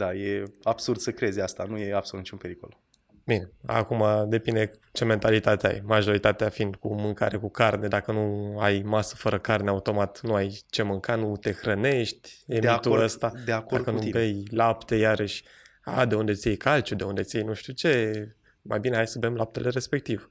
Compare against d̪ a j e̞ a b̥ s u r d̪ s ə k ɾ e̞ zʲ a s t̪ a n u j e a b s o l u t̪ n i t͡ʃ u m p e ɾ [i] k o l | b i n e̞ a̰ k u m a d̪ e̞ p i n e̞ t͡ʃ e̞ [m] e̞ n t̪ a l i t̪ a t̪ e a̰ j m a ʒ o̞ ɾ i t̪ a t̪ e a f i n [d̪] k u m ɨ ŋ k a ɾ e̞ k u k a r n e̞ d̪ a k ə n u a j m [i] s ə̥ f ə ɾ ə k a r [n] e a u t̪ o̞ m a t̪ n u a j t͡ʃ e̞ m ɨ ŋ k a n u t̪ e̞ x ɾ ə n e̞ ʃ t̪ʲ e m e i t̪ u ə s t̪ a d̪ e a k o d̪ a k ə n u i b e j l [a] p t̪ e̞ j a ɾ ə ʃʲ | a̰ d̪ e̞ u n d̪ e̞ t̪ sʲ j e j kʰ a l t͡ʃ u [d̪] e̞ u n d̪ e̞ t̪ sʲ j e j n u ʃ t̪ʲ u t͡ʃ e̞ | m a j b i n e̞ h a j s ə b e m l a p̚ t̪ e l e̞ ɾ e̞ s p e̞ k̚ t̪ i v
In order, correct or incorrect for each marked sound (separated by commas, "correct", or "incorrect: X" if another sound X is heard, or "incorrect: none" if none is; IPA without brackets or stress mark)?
correct, correct, correct, incorrect: a, correct, correct, correct